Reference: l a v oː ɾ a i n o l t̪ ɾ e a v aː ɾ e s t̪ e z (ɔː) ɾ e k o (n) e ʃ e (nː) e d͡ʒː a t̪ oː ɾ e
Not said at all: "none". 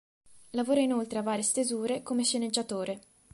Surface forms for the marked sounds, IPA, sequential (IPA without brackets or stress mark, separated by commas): uː, m, n